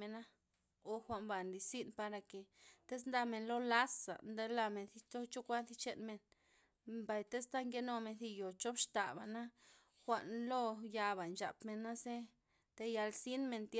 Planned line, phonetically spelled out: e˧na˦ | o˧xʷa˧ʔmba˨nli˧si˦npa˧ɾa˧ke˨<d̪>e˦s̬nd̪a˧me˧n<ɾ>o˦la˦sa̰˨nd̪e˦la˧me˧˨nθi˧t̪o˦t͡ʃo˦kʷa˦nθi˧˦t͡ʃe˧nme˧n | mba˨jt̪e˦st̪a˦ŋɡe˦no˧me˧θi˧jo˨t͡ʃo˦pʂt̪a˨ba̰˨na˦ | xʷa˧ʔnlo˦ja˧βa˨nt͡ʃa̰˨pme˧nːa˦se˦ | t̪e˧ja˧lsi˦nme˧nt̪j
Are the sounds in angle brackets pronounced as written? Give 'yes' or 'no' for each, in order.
no, no

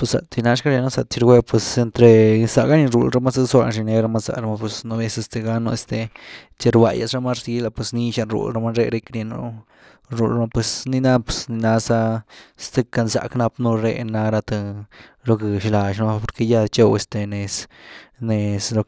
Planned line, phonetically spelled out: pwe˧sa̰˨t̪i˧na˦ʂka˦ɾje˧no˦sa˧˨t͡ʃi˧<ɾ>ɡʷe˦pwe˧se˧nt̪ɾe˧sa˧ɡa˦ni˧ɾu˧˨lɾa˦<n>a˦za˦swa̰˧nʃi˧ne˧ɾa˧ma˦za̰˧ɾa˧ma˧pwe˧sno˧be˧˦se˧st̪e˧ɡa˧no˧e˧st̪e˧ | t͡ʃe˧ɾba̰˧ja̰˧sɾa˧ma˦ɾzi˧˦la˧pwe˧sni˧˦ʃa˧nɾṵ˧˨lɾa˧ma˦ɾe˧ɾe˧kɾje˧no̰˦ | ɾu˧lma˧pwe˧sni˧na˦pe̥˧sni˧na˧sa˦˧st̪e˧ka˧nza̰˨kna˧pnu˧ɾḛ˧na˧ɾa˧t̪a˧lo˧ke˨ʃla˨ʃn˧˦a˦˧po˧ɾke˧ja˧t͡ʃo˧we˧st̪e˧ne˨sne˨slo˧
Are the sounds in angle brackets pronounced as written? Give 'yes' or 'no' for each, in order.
yes, no

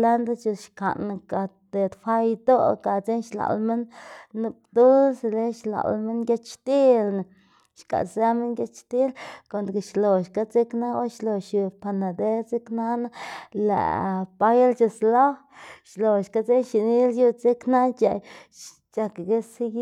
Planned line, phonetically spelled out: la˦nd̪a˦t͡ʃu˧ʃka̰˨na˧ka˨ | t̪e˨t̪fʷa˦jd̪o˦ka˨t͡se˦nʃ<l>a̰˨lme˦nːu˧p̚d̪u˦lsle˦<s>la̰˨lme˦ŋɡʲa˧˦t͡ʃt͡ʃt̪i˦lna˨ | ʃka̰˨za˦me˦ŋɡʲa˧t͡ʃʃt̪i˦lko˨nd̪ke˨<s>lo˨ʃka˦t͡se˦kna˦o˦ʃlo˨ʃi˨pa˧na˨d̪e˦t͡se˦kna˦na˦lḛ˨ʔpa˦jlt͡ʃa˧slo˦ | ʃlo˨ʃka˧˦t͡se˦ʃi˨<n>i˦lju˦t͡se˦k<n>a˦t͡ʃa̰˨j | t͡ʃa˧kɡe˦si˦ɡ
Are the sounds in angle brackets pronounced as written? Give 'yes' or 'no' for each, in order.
yes, no, no, yes, yes

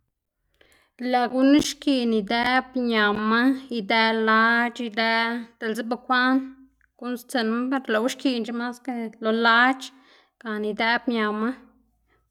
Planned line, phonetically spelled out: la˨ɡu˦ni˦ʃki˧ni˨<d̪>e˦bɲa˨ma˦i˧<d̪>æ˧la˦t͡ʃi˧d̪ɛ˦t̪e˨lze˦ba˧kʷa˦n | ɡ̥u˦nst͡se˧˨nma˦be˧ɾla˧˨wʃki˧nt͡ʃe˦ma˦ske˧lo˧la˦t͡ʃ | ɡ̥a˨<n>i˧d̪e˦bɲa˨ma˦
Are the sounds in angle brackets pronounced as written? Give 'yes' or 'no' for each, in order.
yes, yes, yes

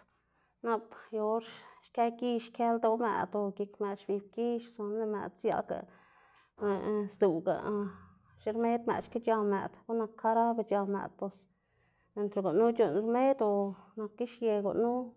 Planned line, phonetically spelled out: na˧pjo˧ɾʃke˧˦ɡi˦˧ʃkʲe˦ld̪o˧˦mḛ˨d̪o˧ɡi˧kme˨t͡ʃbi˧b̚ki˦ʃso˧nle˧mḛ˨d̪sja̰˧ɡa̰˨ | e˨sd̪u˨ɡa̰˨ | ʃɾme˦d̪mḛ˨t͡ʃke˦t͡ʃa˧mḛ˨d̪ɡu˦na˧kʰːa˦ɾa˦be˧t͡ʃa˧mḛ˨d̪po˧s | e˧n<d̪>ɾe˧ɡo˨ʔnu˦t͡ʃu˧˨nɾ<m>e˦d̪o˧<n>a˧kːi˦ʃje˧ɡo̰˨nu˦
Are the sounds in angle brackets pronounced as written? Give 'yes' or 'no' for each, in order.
no, yes, yes

